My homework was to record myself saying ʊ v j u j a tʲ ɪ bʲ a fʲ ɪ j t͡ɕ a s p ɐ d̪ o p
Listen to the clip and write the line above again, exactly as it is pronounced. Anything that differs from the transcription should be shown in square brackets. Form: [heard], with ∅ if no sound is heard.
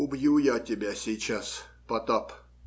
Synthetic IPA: ʊ [b] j u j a tʲ ɪ bʲ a [sʲ] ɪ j t͡ɕ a s p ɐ [t̪] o p